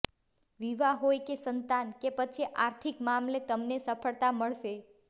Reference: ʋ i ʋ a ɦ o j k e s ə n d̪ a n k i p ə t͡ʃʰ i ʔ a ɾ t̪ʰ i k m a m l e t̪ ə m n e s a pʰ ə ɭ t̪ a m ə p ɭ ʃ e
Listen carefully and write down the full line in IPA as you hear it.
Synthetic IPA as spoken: ʋ i ʋ a ɦ o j k e s ə n t̪ a n k e p ə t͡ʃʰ i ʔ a ɾ t̪ʰ i k m a m l e t̪ ə m n e s ə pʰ ə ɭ t̪ a m ə ɭ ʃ e